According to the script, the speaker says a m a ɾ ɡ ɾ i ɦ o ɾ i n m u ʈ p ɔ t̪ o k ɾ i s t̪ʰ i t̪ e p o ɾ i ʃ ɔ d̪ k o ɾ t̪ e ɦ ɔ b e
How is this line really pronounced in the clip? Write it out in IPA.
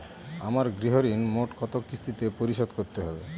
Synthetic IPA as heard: a m a ɾ ɡ ɾ i ɦ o ɾ i n m o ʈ k ɔ t̪ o k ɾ i s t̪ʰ i t̪ e p o ɾ i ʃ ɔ d̪ k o ɾ t̪ e ɦ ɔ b e